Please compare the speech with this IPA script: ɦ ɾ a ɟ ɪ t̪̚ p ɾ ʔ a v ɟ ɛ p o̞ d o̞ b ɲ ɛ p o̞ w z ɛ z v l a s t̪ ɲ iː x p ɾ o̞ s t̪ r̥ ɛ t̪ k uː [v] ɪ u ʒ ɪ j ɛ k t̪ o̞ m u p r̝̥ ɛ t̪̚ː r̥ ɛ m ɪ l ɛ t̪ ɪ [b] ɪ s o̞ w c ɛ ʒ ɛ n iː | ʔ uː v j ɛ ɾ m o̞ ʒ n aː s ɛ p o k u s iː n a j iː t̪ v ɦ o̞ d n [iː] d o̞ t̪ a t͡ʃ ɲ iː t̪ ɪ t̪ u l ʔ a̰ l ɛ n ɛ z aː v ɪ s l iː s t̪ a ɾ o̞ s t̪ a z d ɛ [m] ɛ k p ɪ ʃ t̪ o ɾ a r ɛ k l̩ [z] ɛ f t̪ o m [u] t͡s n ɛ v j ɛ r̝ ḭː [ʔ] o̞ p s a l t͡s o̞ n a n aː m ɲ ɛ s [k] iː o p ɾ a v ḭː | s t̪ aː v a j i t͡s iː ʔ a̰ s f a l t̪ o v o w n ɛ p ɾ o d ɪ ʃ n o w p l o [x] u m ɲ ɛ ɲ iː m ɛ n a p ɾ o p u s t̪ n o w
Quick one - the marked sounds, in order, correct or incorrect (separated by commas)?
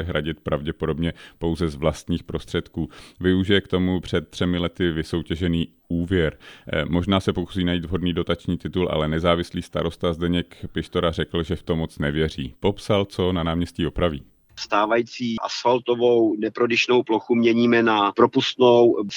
correct, incorrect, correct, incorrect, incorrect, incorrect, incorrect, incorrect, correct